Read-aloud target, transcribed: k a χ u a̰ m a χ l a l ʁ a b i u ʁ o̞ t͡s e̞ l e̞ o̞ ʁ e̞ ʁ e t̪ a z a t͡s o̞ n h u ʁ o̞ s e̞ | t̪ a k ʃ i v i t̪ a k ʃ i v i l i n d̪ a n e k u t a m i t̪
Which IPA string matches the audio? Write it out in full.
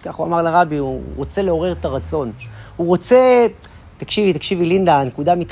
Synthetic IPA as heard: k a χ u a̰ m a ʁ l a ʁ a b i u ʁ o̞ t͡s e̞ l e̞ o̞ ʁ e̞ ʁ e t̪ a ʁ a t͡s o̞ n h u ʁ o̞ t͡s e̞ | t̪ a k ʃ i v i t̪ a k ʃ i v i l i n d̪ a n e k u d a m i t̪